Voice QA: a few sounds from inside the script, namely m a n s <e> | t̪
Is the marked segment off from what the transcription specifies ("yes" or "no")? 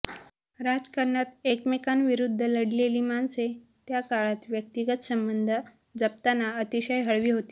no